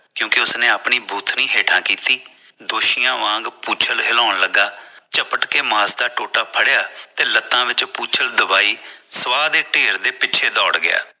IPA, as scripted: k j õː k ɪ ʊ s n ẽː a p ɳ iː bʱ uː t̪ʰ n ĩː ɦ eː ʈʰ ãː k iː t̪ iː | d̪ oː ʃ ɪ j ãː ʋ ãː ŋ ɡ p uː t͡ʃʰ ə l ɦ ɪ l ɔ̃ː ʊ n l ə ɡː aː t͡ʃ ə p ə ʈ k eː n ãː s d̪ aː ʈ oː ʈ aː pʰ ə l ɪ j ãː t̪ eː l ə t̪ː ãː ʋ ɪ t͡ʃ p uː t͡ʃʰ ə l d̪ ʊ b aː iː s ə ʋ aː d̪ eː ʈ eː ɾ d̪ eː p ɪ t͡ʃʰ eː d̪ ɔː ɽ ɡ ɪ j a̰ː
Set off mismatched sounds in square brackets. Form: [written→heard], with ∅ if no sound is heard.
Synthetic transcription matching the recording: k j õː k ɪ ʊ s n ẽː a p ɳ iː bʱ uː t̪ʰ n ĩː ɦ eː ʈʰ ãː k iː t̪ iː | d̪ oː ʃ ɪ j ãː ʋ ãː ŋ ɡ p uː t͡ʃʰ ə l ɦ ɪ l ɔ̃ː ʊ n l ə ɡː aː t͡ʃ ə p ə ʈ k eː [n→m] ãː s d̪ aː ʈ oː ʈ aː pʰ ə [l→ɽ] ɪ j [ãː→aː] t̪ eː l ə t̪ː ãː ʋ ɪ t͡ʃ p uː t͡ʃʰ ə l d̪ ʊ b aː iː s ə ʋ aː d̪ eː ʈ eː ɾ d̪ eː p ɪ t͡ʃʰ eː d̪ ɔː ɽ ɡ ɪ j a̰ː